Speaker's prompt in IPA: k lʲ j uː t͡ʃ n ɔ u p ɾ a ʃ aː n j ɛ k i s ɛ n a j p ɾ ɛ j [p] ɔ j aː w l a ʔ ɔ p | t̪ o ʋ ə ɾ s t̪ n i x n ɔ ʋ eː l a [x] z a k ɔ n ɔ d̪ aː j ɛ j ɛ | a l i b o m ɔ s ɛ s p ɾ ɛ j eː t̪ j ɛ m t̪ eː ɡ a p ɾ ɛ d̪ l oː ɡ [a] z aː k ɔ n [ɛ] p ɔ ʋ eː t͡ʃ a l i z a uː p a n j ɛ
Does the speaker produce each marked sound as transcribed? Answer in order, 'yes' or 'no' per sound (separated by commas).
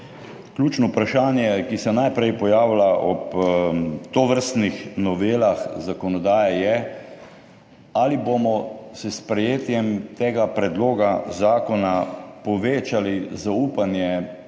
yes, yes, yes, no